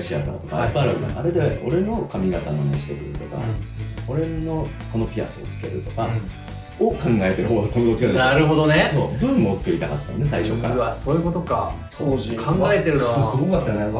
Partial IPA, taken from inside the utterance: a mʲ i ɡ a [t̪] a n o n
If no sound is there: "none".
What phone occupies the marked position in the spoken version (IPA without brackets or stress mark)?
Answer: t̪